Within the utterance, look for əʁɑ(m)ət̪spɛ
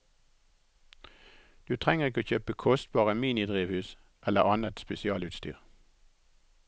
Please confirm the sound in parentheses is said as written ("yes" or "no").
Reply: no